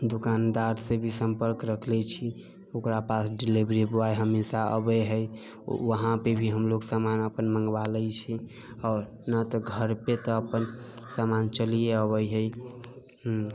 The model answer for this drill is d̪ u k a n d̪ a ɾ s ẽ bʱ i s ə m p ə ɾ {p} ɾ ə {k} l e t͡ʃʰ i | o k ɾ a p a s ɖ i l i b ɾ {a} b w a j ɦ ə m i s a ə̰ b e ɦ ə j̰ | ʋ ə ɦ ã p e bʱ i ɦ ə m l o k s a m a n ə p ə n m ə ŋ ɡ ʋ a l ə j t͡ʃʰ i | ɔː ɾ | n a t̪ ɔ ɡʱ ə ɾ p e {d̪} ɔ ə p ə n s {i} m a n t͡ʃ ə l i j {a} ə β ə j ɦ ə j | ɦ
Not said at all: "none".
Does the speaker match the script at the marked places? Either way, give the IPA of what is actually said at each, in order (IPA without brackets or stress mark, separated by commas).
k, kʰ, i, t̪, a, e